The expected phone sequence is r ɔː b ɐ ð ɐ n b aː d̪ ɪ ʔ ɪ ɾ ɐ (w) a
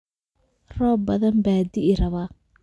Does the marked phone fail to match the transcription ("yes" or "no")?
yes